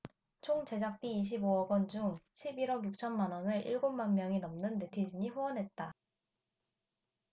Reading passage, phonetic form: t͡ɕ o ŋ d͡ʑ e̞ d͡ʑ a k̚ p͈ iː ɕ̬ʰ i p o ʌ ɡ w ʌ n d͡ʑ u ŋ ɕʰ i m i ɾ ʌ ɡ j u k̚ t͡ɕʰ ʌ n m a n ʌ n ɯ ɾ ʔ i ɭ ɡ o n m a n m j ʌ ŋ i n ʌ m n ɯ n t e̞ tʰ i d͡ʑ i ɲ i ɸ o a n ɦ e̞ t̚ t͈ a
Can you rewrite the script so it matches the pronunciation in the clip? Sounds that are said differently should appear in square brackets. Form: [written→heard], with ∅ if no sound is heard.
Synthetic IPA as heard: [t͡ɕ→t͡ɕʰ] o ŋ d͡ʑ e̞ d͡ʑ a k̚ p͈ iː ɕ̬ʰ i [p→b] o ʌ ɡ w ʌ n d͡ʑ u ŋ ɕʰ i [m→b] i ɾ ʌ ɡ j u k̚ t͡ɕʰ ʌ n m a n ʌ n ɯ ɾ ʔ i ɭ ɡ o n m a n m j ʌ ŋ i n ʌ m n ɯ n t e̞ tʰ i d͡ʑ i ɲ i ɸ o [a→ʌ] n ɦ e̞ t̚ t͈ a